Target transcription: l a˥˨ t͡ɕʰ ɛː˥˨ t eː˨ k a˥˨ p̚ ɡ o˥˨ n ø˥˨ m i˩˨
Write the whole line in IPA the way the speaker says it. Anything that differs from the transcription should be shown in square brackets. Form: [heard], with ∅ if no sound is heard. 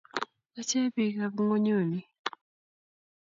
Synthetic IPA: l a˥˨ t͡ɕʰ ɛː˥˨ [p] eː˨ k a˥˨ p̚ [ŋ] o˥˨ [ɲ] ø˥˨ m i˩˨